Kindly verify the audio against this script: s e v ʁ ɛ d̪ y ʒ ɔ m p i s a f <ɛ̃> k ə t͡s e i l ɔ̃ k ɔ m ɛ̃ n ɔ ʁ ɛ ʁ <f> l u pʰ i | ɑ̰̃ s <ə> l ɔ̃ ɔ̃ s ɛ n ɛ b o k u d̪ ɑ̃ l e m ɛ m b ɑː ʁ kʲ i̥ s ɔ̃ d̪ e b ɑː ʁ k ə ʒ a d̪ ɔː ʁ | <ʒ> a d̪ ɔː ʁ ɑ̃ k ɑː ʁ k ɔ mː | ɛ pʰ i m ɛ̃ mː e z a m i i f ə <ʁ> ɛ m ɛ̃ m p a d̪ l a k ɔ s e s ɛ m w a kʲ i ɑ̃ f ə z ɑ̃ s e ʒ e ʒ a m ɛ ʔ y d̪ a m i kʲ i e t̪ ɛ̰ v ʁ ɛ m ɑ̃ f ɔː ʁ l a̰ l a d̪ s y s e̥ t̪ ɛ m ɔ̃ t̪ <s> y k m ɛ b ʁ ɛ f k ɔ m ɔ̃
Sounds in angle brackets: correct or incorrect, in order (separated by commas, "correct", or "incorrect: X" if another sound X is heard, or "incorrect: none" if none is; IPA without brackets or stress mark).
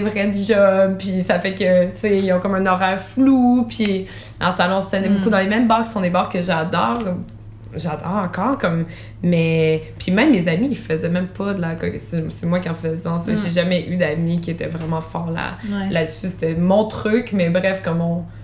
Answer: incorrect: ɛ, correct, incorrect: a, correct, incorrect: z, incorrect: χ